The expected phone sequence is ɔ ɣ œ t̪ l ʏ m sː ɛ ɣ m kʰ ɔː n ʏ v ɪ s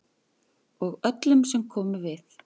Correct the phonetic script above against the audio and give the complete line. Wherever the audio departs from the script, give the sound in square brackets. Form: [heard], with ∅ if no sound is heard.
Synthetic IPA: ɔ ɣ œ t̪ l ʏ m [s] ɛ [∅] m kʰ ɔː [m] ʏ v ɪ [θ]